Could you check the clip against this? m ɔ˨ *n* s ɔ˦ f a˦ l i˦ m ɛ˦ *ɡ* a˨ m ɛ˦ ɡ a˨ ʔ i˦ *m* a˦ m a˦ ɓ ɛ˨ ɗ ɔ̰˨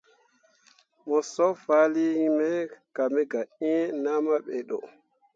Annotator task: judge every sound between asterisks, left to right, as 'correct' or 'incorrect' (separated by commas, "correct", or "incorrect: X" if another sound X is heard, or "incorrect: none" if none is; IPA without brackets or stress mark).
incorrect: none, incorrect: k, incorrect: n